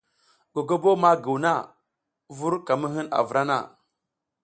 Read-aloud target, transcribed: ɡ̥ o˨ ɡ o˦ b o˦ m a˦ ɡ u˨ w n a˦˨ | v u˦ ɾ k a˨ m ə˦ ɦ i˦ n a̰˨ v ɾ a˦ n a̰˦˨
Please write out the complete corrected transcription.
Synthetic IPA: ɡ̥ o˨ ɡ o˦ b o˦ m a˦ ɡ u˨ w n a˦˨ | v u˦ ɾ k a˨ m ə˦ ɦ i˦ n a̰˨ v ɾ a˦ n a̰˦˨